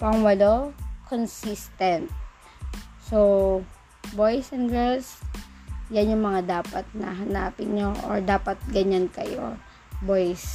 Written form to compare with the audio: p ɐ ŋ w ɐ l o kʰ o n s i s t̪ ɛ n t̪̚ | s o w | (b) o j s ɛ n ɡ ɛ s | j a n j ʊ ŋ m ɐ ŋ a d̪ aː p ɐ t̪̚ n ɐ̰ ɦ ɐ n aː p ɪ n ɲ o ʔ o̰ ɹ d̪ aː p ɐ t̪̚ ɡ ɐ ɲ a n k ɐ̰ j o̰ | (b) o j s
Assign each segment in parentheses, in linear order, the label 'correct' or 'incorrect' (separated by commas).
correct, correct